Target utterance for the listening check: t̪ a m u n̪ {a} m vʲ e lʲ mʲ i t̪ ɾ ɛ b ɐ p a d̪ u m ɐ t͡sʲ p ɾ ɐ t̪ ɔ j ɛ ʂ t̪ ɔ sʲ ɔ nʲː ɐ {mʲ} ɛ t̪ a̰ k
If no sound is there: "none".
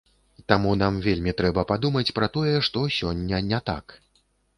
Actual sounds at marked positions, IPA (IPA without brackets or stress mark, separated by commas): a, nʲ